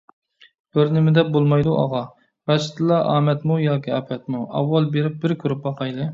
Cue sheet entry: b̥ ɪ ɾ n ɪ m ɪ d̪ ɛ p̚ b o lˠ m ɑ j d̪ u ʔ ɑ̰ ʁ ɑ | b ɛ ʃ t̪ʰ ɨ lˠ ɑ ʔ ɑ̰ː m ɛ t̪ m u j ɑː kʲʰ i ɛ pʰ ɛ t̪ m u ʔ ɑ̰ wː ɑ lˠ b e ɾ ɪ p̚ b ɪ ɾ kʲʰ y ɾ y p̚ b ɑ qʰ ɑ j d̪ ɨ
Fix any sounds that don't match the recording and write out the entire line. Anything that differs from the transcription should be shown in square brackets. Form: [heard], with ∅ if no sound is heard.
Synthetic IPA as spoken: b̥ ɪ ɾ n ɪ m ɪ d̪ ɛ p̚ b o lˠ m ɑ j d̪ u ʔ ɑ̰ ʁ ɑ | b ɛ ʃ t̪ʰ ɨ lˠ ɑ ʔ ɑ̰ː m ɛ t̪ m u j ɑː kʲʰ i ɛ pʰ ɛ t̪ m u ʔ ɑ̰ wː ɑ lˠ b e ɾ ɪ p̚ b ɪ ɾ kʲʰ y ɾ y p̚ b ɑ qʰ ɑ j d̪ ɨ